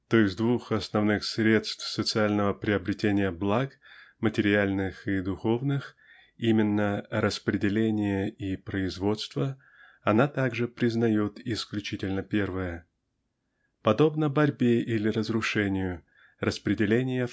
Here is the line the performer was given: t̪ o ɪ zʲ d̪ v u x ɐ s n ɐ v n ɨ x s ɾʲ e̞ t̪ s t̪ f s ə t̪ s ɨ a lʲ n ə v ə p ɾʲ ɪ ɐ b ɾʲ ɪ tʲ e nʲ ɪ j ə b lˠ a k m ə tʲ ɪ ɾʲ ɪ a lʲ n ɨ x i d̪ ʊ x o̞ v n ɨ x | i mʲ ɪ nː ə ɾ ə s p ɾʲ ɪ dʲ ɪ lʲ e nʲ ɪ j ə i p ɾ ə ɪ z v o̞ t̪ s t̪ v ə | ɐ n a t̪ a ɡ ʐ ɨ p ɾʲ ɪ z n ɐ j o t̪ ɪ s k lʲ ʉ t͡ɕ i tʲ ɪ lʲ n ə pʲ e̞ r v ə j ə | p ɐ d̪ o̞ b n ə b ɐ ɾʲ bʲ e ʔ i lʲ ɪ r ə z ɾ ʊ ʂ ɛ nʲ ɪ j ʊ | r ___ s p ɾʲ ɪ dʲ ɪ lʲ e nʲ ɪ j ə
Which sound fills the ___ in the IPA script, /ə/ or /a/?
ə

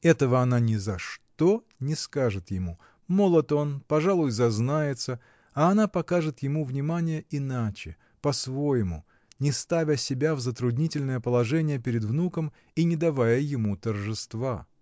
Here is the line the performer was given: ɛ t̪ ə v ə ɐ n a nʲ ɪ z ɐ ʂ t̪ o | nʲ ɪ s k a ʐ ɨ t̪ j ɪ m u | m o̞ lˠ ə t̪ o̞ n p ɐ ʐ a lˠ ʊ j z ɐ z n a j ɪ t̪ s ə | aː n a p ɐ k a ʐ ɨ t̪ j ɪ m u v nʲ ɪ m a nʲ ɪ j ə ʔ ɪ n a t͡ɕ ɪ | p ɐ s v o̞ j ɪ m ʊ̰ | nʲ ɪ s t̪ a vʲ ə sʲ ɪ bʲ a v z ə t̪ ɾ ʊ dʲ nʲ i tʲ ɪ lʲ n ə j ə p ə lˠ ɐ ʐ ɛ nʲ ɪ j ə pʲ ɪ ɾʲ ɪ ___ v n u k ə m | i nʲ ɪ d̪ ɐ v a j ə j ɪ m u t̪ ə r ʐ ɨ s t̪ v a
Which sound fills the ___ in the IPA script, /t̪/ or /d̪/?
d̪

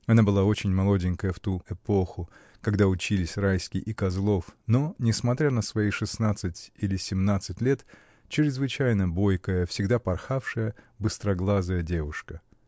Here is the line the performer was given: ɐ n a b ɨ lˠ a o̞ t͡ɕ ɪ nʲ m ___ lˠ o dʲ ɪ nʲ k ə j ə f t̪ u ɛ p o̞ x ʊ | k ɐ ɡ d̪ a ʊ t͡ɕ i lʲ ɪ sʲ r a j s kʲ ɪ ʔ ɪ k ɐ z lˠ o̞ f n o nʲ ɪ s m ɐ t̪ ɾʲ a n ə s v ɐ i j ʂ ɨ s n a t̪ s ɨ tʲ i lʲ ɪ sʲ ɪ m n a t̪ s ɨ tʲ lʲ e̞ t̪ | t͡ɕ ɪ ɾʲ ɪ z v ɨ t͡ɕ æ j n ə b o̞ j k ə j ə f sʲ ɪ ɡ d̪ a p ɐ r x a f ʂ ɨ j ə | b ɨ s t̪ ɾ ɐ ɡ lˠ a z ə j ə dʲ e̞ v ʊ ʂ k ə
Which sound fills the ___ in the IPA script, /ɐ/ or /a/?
ɐ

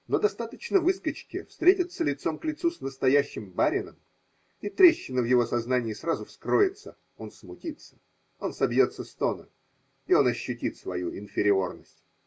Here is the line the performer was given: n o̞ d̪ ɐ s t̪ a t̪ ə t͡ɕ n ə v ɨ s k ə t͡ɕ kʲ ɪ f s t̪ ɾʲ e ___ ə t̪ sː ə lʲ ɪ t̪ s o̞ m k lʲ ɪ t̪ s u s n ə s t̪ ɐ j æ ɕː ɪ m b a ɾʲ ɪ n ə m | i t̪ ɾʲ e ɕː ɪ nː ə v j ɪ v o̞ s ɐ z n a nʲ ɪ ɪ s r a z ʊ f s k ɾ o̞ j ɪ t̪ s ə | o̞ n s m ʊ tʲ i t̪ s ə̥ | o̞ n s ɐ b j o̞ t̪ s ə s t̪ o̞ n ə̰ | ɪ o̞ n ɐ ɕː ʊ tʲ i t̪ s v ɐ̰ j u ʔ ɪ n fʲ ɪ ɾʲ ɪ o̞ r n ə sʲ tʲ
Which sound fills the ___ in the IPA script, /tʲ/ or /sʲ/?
tʲ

